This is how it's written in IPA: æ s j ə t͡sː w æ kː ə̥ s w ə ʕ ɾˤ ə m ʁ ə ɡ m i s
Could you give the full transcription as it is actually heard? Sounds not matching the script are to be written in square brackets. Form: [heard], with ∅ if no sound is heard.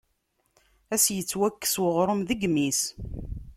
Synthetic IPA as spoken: æ s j ə t͡sː w æ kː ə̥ s w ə [ʁ] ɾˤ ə m [ð] ə ɡ m i s